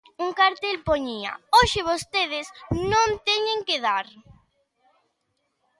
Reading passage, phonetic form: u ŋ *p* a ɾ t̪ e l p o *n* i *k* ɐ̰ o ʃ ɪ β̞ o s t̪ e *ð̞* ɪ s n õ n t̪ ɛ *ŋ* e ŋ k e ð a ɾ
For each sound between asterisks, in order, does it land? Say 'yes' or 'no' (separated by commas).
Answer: no, no, no, yes, no